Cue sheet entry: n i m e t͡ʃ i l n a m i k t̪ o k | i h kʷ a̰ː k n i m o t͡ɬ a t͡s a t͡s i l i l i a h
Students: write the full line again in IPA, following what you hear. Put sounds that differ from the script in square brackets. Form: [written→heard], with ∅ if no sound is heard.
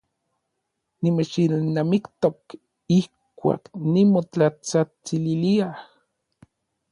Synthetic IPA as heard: n i m e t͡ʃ i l n a m i k t̪ o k | i h kʷ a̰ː k n i m o t͡ɬ a t͡s a t͡s i l i l i a h